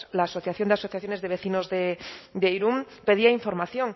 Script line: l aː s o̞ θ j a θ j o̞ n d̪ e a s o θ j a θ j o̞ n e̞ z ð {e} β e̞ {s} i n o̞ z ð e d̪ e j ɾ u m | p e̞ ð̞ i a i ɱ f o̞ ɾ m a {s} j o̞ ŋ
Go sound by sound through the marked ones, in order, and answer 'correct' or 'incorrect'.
correct, incorrect, incorrect

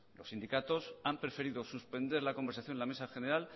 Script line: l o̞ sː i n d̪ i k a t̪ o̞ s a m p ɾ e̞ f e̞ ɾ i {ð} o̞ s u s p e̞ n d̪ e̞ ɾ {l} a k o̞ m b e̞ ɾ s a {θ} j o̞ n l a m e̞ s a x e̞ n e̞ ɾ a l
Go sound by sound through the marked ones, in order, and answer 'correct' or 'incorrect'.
correct, correct, correct

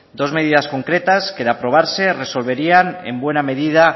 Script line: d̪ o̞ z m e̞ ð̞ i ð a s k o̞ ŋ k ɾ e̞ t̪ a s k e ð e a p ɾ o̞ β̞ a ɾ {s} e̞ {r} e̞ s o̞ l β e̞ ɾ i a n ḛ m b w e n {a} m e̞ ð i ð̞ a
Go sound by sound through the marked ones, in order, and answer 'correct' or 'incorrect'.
correct, correct, correct

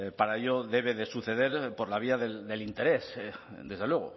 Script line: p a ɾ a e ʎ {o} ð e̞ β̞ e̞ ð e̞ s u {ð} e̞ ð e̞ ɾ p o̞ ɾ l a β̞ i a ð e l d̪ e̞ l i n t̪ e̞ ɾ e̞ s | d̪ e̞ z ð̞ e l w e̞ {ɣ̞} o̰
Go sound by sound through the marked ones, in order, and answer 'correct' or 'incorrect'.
correct, incorrect, correct

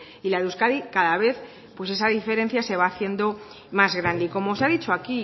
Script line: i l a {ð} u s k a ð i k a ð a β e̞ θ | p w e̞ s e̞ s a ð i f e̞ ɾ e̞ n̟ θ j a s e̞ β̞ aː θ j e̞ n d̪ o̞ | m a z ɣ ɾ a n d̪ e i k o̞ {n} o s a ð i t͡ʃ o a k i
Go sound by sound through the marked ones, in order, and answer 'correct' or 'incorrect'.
correct, incorrect

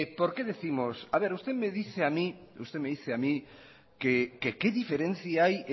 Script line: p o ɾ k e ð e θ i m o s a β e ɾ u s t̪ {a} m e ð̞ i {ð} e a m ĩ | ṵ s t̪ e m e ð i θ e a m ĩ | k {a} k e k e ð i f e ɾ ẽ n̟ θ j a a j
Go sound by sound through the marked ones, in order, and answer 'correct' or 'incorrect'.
incorrect, incorrect, incorrect

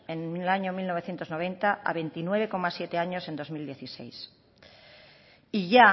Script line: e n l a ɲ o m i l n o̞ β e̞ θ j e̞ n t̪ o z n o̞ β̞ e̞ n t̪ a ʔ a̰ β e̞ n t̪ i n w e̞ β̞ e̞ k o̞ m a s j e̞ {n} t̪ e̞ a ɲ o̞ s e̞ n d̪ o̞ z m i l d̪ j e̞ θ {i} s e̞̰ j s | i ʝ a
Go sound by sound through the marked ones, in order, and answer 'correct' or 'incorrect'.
incorrect, correct

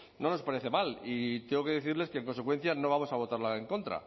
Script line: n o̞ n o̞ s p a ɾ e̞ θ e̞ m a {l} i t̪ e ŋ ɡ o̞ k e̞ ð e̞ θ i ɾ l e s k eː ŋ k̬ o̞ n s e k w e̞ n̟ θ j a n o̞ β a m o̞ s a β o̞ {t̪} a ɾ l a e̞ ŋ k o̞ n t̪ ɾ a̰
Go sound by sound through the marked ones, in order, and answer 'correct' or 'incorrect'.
correct, correct

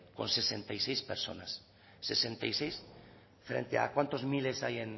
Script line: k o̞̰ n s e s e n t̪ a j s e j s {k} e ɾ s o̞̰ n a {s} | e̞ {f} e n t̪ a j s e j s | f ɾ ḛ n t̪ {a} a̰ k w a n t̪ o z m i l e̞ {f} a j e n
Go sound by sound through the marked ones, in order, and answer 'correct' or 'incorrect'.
incorrect, incorrect, incorrect, incorrect, incorrect

